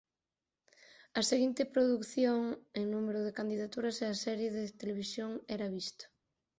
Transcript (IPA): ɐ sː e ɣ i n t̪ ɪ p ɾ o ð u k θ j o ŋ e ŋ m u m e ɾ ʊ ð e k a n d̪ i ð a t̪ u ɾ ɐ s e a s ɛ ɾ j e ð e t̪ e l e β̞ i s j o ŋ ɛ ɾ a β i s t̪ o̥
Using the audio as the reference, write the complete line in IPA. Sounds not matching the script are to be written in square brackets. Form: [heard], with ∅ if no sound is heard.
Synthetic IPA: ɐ [s] e ɣ i n t̪ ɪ p ɾ o ð u k θ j o ŋ e ŋ [n] u m e ɾ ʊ ð e k a n d̪ i ð a t̪ u ɾ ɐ s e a s ɛ ɾ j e ð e t̪ e l e β̞ i s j o ŋ ɛ ɾ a β i s t̪ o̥